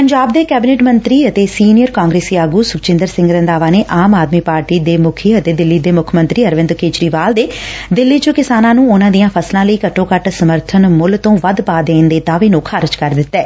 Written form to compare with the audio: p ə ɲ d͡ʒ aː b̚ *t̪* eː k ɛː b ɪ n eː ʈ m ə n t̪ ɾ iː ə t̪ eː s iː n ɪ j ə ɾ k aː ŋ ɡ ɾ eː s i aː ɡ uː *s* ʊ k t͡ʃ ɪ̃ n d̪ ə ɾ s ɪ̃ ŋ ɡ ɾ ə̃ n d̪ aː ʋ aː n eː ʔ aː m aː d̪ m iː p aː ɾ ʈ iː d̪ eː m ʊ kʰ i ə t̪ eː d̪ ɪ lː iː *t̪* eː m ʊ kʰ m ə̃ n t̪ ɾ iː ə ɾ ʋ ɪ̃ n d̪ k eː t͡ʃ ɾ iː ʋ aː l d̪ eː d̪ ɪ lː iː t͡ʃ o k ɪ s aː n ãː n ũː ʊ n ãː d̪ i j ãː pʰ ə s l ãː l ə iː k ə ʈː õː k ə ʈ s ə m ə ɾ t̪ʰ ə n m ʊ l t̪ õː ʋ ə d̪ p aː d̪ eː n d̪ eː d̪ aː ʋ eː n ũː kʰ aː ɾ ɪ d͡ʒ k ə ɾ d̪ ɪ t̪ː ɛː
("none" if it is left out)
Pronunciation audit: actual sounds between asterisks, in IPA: d̪, s, d̪

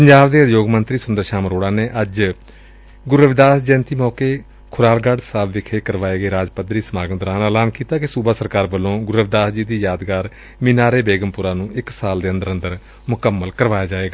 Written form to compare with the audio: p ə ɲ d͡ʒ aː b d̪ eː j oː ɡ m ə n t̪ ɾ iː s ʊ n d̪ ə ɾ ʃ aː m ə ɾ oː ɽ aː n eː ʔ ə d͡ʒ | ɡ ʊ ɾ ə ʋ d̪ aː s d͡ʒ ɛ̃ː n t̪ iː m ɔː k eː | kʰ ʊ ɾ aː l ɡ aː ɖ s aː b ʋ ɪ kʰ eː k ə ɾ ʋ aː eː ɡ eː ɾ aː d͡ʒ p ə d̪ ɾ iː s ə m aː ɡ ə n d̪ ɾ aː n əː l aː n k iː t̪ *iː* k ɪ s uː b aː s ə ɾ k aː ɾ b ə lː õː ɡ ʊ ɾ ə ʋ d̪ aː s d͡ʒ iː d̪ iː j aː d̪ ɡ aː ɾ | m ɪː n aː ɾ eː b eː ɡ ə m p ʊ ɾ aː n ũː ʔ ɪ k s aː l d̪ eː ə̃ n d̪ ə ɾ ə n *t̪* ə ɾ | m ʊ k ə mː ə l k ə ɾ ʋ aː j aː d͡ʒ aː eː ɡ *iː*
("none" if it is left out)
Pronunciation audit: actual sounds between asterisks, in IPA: aː, d̪, aː

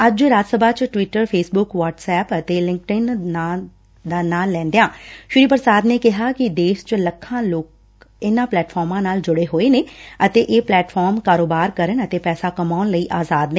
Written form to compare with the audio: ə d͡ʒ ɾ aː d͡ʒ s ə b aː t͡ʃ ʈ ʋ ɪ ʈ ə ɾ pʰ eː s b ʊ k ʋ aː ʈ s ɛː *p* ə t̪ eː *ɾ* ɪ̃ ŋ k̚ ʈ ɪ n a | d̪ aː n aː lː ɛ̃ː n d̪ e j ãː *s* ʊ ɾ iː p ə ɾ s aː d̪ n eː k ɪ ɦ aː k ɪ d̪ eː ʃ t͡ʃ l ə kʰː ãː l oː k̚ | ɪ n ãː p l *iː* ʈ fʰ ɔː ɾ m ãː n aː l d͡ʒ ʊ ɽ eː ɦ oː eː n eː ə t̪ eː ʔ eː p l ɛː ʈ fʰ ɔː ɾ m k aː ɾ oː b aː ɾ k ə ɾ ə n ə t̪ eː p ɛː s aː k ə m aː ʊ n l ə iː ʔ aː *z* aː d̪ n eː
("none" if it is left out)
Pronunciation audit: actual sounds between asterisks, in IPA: p, l, ʃ, ɛː, z

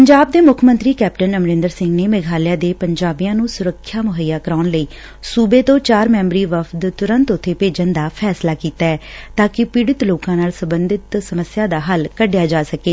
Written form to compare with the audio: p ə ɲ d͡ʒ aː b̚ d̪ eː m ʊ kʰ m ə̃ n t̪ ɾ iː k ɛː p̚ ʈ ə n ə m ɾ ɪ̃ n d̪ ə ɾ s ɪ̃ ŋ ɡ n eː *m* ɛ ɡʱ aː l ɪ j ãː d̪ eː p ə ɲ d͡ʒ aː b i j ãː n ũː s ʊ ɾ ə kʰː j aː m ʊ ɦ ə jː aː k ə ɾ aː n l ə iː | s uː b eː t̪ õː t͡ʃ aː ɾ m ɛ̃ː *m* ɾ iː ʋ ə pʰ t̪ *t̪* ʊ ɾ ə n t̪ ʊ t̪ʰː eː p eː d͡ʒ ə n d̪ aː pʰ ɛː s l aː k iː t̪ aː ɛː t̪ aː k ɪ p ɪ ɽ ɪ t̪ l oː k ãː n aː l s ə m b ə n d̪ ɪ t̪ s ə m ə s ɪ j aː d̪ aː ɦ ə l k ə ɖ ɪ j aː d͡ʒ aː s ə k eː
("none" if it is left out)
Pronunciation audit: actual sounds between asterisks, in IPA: m, m, t̪

